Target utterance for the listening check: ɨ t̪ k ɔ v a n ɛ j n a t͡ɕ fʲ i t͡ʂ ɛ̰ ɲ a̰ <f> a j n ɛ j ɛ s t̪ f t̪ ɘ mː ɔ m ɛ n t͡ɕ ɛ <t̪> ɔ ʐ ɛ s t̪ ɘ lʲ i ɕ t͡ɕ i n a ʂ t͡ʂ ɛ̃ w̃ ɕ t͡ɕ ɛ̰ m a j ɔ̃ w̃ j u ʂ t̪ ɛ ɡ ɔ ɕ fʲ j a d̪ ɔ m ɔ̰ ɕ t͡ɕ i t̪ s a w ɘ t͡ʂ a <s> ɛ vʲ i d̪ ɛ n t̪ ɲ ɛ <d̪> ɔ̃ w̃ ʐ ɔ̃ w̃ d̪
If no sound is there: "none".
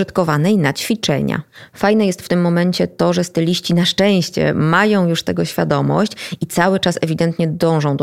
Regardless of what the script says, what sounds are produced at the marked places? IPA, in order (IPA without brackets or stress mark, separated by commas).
f, t̪, s, d̪